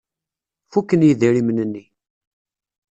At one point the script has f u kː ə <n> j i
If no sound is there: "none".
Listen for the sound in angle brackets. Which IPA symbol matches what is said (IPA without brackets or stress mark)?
n